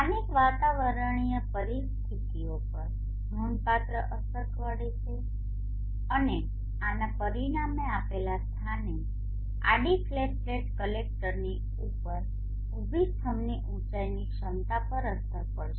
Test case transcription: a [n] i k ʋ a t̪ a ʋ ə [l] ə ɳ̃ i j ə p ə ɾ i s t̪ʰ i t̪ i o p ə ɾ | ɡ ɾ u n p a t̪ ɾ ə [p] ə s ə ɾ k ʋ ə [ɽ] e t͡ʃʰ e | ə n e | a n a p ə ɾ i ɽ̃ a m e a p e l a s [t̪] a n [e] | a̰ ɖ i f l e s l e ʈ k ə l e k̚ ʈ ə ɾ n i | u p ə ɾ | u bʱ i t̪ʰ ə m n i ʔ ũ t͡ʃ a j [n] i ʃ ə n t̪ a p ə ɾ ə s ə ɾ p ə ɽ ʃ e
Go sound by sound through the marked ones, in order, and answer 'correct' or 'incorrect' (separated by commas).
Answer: correct, incorrect, incorrect, correct, incorrect, correct, correct